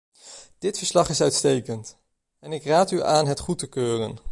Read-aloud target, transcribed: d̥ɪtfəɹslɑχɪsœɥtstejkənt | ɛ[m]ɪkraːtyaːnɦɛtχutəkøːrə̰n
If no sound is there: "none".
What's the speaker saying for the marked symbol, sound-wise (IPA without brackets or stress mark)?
n